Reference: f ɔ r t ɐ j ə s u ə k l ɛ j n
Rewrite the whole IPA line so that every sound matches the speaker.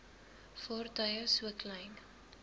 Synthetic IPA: f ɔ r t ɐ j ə s u ə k l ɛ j n